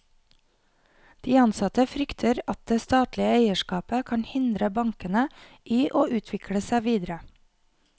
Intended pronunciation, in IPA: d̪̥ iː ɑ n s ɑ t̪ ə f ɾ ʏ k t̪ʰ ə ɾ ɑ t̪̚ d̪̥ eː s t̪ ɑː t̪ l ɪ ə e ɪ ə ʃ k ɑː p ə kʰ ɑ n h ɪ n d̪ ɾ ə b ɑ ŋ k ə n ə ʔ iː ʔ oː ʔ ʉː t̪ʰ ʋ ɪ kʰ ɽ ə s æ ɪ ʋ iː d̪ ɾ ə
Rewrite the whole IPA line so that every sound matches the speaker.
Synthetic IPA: d̪̥ iː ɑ n s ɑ t̪ ə f ɾ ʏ k t̪ʰ ə ɾ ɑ t̪̚ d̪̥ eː s t̪ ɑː t̪ l ɪ ə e ɪ ə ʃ k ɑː p ə kʰ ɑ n h ɪ n d̪ ɾ ə b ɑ ŋ k ə n ə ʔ iː ʔ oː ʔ ʉː t̪ʰ ʋ ɪ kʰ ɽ ə s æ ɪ ʋ iː d̪ ɾ ə